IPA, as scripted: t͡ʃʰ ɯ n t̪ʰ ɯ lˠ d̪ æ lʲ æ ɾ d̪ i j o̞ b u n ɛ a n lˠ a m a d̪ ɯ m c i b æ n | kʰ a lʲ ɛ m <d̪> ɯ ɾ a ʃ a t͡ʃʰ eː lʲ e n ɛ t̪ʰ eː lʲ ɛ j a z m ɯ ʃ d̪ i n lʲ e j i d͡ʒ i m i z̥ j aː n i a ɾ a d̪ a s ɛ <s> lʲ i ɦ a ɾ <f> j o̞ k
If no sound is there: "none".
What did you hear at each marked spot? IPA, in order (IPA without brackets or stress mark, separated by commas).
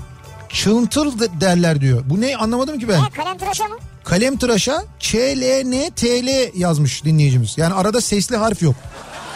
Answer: t̪, s, f